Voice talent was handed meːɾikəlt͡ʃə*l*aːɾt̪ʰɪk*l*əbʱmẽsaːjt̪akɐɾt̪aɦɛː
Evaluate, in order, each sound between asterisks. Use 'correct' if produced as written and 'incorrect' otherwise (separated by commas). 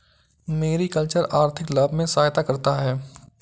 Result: incorrect, correct